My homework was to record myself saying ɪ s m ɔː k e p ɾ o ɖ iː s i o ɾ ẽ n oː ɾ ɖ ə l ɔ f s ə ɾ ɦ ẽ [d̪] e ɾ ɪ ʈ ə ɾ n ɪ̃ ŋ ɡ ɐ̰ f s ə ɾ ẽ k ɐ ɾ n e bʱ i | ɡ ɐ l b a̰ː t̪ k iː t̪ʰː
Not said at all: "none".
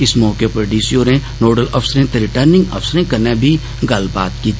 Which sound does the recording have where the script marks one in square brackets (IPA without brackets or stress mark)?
t̪